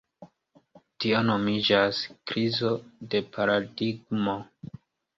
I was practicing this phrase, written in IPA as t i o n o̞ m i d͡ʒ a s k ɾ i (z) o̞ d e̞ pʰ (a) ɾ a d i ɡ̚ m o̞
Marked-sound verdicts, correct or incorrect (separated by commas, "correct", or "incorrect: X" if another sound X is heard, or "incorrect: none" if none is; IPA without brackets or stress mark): correct, correct